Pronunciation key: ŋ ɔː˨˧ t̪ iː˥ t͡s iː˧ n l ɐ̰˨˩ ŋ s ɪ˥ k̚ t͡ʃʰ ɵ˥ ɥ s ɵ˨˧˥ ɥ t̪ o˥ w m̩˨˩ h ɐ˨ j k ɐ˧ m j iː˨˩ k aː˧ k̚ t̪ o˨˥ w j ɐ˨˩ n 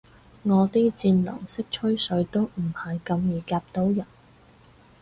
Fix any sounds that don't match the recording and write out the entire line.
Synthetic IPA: ŋ ɔː˨˧ t̪ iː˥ t͡s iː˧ n l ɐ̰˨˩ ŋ s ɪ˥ k̚ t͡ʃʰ ɵ˥ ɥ s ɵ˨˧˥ ɥ t̪ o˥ w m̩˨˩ h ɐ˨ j k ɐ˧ m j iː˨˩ k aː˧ p̚ t̪ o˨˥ w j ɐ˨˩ n